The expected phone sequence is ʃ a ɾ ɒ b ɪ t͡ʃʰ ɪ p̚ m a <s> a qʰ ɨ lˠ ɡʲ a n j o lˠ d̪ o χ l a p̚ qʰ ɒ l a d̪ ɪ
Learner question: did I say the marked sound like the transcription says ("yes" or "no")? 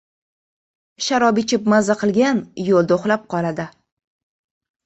no